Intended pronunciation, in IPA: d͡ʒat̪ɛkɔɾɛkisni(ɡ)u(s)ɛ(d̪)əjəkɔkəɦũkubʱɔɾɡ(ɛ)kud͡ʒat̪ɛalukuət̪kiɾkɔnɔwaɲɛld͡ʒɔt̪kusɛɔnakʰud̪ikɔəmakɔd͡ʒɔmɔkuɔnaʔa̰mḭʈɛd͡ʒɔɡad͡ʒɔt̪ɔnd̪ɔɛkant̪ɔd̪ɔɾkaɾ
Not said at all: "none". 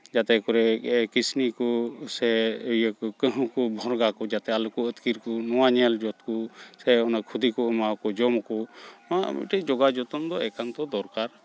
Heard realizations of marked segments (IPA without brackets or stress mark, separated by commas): k, s, none, a